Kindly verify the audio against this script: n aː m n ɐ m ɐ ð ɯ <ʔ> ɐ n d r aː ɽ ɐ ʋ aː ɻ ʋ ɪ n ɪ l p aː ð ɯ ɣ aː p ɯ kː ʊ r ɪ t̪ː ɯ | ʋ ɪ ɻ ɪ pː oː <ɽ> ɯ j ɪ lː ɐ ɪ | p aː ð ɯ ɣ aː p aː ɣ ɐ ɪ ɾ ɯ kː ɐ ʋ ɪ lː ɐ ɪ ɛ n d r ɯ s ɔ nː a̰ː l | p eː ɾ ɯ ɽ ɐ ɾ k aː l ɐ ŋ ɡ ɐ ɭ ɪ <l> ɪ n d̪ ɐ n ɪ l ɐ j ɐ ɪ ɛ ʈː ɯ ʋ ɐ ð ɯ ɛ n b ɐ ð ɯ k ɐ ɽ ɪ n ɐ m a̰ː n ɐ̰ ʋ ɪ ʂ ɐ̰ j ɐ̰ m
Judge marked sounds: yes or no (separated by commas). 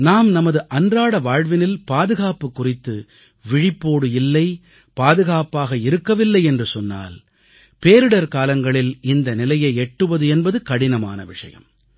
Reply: yes, yes, yes